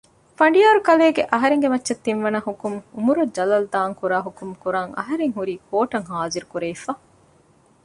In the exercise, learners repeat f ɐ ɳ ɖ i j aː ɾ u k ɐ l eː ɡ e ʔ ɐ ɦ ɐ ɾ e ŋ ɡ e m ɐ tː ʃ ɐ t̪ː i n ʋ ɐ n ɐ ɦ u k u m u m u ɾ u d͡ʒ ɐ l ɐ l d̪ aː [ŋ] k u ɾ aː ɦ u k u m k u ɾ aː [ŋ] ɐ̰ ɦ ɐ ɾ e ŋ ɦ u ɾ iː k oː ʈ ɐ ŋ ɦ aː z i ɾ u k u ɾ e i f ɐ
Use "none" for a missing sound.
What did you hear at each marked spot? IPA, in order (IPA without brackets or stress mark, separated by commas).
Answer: ŋ, ŋ